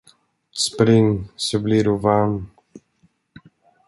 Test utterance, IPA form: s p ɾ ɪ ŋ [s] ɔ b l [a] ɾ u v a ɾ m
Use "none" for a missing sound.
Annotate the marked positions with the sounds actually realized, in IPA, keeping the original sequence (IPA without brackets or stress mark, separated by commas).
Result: s, i